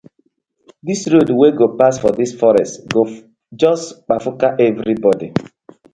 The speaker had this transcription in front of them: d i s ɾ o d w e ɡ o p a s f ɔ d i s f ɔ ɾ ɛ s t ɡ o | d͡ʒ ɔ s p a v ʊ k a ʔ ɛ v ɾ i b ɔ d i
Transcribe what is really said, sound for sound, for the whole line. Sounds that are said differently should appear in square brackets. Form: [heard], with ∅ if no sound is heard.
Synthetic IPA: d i s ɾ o d w e ɡ o p a s f ɔ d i s f ɔ ɾ ɛ s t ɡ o | d͡ʒ ɔ s [k͡p] a [f] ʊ k a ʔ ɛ v ɾ i b ɔ d i